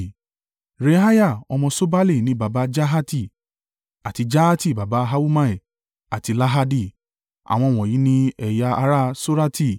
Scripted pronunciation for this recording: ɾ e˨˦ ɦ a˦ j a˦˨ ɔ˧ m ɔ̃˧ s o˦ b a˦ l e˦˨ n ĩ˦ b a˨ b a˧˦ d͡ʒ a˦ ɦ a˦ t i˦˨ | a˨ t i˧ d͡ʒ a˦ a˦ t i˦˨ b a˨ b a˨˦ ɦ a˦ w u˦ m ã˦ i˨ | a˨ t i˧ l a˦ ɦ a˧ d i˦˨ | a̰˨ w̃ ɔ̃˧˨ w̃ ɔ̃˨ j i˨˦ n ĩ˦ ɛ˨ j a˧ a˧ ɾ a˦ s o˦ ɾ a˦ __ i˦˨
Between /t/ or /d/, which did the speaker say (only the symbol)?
t